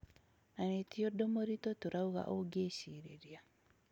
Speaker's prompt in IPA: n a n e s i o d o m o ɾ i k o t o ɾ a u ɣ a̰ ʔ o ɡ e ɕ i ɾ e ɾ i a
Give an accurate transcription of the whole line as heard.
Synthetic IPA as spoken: n a n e t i o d o m o ɾ i t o t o ɾ a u ɣ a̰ ʔ o ɡ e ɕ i ɾ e ɾ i a